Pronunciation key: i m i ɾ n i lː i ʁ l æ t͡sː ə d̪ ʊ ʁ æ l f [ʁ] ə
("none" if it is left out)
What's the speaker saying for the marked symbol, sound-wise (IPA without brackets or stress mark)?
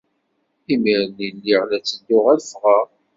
ʁ